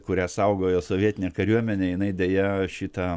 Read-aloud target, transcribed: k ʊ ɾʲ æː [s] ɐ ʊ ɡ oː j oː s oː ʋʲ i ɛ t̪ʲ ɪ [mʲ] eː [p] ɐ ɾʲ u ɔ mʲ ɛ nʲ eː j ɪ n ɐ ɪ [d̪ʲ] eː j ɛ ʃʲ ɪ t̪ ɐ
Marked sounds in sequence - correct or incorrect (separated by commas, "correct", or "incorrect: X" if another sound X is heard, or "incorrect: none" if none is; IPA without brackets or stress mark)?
correct, incorrect: nʲ, incorrect: k, correct